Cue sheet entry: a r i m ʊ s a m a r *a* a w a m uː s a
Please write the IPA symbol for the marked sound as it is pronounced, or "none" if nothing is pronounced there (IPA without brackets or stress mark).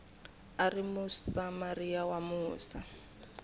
i